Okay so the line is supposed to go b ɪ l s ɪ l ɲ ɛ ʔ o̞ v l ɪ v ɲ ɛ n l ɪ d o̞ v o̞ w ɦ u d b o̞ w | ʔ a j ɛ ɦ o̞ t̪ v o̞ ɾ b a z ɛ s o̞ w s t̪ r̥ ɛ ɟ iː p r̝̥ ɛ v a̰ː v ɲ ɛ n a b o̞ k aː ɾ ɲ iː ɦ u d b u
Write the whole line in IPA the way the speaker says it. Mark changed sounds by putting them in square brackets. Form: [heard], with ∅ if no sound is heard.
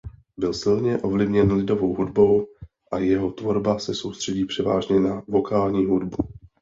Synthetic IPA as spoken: b ɪ l s ɪ l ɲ ɛ ʔ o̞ v l ɪ v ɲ ɛ n l ɪ d o̞ v o̞ w ɦ u d b o̞ w | ʔ a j ɛ ɦ o̞ t̪ v o̞ ɾ b a [s] ɛ s o̞ w s t̪ r̥ ɛ ɟ iː p r̝̥ ɛ v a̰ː [ʒ] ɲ ɛ n a [v] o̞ k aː [l] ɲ iː ɦ u d b u